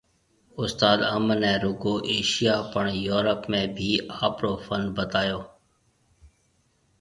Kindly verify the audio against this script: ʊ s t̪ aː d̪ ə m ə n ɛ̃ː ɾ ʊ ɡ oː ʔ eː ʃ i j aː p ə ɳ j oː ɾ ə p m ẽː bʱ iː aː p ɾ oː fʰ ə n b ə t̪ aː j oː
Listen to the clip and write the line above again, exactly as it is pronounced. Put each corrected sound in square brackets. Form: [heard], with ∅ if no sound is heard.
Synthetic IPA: ʊ s t̪ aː d̪ ə m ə n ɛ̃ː ɾ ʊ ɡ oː ʔ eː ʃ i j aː p ə ɳ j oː ɾ ə p m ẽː bʱ iː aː p ɾ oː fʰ ə n b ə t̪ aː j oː